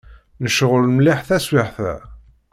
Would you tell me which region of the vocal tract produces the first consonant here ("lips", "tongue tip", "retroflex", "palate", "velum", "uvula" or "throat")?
tongue tip